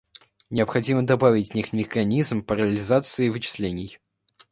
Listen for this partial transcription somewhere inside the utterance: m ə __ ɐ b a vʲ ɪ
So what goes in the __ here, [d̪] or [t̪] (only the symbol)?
d̪